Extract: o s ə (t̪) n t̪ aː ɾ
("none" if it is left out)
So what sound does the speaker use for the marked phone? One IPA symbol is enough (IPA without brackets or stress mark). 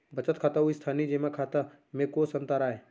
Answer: none